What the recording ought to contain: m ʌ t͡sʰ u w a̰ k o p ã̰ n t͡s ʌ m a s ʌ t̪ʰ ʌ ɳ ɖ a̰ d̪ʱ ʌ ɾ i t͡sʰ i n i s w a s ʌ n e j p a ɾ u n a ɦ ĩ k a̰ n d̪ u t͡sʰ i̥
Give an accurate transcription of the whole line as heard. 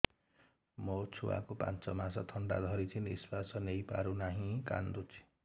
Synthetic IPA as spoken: m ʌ t͡sʰ u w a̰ k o p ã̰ n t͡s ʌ m a s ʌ t̪ʰ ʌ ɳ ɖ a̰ d̪ʱ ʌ ɾ i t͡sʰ i n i s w a s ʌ n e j p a ɾ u n a ɦ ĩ k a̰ n d̪ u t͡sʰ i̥